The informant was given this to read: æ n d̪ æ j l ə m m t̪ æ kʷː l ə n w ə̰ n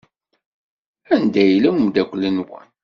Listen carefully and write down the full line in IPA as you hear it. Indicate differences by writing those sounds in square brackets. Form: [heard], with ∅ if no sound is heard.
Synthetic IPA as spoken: æ n d̪ æ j l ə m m [d̪] æ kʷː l ə n w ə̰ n